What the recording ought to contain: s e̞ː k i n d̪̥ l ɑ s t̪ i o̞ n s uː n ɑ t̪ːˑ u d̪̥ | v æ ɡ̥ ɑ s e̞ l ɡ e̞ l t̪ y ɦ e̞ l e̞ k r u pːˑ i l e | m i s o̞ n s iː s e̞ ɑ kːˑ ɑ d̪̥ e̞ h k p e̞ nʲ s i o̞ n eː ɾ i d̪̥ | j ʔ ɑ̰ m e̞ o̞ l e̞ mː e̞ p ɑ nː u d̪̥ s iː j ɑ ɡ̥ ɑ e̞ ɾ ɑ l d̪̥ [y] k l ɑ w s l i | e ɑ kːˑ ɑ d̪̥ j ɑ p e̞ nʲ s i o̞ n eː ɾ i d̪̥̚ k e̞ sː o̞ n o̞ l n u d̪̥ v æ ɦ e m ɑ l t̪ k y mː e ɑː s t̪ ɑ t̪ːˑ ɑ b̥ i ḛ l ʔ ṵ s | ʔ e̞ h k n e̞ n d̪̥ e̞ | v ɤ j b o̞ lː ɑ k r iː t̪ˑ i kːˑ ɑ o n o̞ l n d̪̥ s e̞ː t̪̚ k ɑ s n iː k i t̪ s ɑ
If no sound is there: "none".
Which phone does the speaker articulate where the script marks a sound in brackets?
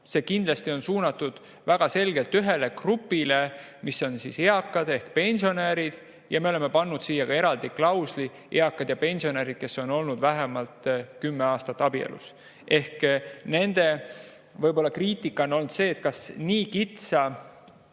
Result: i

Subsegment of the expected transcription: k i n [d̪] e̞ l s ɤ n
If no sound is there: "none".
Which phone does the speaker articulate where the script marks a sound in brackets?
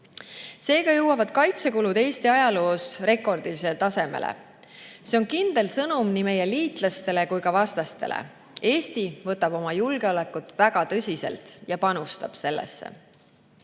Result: d̪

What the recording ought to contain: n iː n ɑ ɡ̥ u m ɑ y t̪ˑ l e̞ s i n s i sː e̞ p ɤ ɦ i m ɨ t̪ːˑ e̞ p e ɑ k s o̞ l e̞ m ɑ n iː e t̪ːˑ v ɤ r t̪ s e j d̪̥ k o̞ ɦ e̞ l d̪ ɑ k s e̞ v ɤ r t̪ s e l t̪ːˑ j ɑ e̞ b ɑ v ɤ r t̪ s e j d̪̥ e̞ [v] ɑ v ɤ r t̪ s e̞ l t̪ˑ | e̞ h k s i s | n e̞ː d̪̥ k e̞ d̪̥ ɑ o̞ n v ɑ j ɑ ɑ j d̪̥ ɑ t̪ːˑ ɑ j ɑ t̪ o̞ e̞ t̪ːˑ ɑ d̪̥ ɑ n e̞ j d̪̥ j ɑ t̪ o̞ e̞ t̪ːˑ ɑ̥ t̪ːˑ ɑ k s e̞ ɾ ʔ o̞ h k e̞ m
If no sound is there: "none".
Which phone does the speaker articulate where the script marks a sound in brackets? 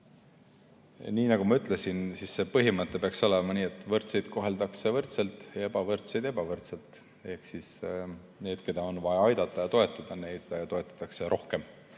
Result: b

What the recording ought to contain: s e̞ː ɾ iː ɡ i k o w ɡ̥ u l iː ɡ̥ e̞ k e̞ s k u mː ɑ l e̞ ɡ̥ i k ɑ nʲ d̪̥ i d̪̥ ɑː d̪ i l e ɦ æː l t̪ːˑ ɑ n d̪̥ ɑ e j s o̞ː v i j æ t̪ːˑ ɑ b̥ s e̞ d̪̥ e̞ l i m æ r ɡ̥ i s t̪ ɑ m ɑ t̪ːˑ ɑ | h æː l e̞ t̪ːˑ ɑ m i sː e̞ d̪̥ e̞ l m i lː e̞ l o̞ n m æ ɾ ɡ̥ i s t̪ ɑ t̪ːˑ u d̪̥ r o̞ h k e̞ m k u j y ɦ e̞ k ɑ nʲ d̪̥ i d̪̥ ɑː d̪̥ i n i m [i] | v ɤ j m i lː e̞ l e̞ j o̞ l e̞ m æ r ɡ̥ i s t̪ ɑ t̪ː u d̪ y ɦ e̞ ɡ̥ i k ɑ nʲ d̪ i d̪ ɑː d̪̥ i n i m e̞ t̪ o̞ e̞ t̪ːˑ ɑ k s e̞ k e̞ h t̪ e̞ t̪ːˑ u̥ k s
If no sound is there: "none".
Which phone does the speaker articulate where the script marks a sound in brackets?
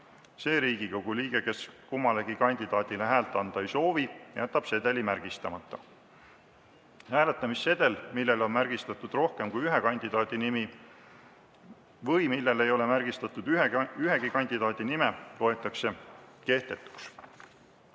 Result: i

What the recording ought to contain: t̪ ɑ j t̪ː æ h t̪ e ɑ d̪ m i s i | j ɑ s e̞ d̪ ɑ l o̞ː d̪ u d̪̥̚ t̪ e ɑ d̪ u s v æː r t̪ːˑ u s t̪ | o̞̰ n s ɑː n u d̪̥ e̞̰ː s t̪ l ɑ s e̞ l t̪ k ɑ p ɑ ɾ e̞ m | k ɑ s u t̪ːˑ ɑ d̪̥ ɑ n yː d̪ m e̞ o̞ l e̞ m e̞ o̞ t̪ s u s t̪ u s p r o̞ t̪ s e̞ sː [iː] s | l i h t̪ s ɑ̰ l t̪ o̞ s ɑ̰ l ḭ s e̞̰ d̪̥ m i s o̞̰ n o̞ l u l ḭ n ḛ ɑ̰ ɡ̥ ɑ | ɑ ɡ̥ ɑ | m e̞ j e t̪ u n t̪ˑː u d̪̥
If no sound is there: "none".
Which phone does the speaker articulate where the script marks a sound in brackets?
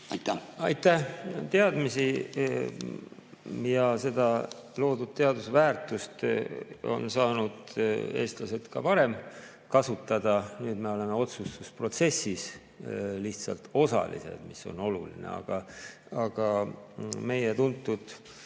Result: i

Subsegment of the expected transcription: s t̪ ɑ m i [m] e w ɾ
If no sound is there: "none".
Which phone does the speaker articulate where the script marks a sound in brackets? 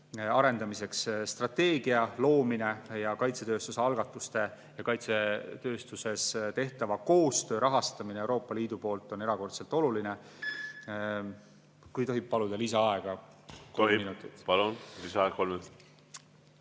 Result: n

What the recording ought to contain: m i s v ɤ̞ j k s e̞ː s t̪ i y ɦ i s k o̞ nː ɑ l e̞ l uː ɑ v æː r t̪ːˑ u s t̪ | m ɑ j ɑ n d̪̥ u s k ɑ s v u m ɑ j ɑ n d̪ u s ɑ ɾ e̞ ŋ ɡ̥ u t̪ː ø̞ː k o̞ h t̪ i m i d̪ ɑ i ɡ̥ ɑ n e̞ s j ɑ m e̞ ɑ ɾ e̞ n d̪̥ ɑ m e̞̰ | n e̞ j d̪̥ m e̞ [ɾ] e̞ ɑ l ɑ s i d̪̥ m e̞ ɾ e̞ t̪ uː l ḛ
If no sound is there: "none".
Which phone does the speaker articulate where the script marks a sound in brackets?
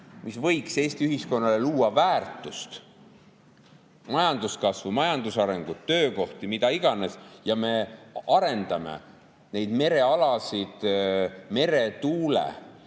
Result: ɾ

